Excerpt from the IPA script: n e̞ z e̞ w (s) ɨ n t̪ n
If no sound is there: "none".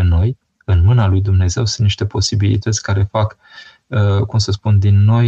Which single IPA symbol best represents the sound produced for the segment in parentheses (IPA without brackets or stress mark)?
s